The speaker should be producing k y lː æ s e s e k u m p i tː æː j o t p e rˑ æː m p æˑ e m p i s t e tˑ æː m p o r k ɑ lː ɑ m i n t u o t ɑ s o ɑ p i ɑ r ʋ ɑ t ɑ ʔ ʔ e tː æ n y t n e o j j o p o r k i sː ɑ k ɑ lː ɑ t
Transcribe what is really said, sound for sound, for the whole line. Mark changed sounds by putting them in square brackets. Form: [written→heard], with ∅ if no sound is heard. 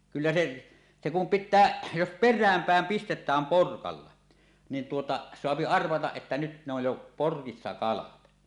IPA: k y lː æ s e s e k u m p i tː æː j o [t→s] p e rˑ æː m p æˑ e m p i s t e tˑ æː m p o r k ɑ lː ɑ [m→n] i n t u o t ɑ s o ɑ p i ɑ r ʋ ɑ t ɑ ʔ ʔ e tː æ n y t n e o j j o p o r k i sː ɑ k ɑ [lː→l] ɑ t